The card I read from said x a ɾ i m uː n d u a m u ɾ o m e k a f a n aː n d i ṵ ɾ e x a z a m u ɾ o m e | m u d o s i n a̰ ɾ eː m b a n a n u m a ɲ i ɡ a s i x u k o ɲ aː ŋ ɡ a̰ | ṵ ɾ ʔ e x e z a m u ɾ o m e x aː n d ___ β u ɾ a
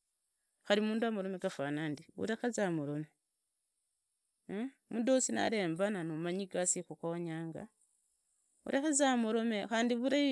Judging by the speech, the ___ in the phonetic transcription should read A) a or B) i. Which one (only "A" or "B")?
B